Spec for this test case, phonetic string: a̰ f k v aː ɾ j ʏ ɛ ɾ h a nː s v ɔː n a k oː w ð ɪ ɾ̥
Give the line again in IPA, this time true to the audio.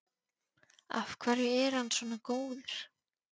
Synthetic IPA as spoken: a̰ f kʰ v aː ɾ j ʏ ɛ ɾ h a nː s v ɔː n a k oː w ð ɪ ɾ̥